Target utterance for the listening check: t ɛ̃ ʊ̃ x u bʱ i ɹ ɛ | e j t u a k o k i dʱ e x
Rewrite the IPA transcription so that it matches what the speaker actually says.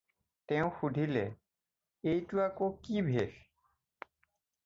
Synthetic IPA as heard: t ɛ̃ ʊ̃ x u dʱ i l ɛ | e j t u a k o k i bʱ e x